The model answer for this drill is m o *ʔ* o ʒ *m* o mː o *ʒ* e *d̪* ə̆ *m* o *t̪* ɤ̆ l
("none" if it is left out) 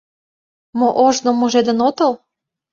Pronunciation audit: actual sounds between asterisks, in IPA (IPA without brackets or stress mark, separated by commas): ʔ, n, ʒ, d̪, n, t̪